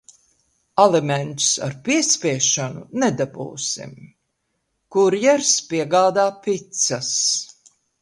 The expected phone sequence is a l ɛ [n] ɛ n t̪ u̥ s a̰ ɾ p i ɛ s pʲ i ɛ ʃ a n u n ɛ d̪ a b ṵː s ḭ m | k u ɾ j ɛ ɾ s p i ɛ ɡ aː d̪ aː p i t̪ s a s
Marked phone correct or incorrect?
incorrect